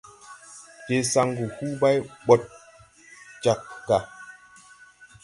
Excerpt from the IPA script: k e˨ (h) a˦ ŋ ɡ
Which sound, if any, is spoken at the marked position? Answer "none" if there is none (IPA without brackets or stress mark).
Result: s